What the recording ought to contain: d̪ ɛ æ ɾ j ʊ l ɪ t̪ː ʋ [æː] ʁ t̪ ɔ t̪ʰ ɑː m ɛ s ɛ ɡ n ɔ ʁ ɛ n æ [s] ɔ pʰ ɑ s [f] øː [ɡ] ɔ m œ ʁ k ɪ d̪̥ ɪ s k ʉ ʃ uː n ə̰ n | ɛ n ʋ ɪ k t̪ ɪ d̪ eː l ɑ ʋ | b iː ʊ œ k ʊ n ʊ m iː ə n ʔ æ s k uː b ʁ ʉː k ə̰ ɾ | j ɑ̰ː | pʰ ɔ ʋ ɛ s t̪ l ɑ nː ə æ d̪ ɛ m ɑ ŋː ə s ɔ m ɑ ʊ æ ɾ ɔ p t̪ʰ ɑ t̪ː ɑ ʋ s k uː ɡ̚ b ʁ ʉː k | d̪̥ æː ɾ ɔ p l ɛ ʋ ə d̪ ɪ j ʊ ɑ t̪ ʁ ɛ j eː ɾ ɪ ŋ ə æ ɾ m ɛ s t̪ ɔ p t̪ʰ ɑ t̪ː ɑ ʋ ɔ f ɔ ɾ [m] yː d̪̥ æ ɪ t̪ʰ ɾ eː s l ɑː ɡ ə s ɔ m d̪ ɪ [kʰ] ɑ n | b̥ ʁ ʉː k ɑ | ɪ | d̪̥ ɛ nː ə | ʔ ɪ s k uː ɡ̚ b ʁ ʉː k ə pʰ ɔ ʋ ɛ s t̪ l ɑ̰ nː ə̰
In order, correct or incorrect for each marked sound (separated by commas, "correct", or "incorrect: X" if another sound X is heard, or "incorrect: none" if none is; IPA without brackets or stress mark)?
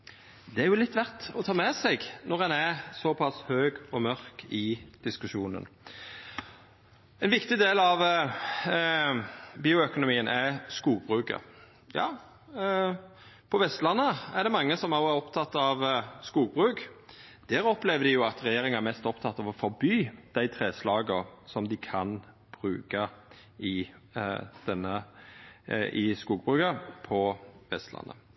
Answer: incorrect: æ, correct, incorrect: h, correct, incorrect: b, correct